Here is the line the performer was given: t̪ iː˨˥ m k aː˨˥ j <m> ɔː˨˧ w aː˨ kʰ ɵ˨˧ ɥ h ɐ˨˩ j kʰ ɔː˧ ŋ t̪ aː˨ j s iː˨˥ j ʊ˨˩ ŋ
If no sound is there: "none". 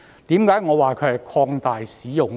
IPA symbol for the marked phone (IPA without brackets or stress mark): ŋ